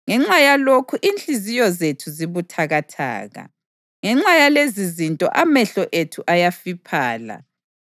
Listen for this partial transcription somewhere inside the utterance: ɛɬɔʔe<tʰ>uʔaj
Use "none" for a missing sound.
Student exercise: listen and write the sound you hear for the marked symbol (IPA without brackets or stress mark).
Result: tʰ